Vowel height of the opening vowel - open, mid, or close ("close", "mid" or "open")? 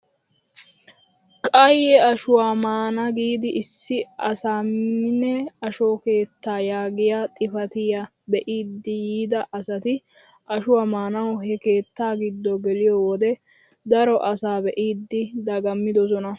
open